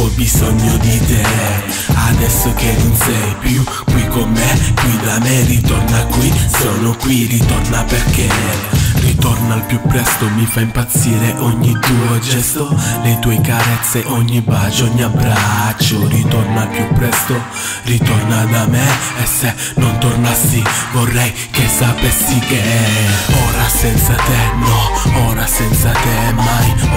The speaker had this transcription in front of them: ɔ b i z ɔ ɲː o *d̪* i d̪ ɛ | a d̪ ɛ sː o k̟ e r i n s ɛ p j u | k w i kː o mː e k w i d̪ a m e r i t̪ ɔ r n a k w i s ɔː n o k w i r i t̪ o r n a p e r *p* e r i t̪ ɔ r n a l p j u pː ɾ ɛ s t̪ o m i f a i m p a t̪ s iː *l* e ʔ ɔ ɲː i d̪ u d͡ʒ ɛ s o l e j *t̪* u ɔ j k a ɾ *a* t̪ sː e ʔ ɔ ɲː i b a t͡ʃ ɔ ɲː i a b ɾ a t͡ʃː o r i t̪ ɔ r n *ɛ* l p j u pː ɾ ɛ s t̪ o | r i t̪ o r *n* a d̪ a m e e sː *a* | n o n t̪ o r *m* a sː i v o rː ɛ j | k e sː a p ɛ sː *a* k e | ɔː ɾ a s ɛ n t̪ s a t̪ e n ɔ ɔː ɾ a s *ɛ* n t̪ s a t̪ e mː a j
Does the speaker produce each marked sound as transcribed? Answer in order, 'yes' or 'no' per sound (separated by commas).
yes, no, no, yes, no, no, yes, no, no, no, yes